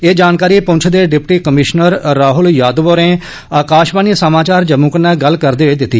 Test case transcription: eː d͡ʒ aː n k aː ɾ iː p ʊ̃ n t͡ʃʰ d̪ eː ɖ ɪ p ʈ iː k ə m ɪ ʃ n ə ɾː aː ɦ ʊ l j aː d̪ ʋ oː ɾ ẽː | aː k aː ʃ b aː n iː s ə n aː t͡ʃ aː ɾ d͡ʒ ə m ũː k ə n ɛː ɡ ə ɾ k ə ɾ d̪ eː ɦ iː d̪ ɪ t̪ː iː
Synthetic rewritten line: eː d͡ʒ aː n k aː ɾ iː p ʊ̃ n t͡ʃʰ d̪ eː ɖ ɪ p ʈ iː k ə m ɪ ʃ n ə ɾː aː ɦ ʊ l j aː d̪ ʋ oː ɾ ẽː | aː k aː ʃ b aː n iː s ə m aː t͡ʃ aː ɾ d͡ʒ ə m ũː k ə n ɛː ɡ ə l k ə ɾ d̪ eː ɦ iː d̪ ɪ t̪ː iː